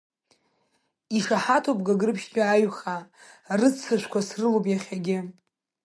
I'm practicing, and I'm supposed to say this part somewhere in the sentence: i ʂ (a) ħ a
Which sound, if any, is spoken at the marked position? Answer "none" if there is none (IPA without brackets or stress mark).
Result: a